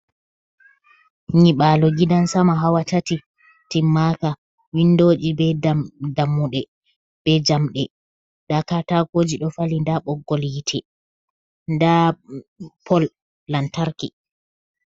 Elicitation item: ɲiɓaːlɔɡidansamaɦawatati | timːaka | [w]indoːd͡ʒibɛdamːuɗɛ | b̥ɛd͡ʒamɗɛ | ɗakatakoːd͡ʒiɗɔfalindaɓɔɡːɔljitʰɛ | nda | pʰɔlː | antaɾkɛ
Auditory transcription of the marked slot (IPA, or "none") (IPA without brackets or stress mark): w